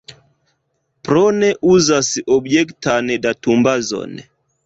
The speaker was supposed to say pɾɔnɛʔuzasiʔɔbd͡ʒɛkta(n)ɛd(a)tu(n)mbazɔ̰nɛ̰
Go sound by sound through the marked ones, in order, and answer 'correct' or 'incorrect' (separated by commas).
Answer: correct, correct, incorrect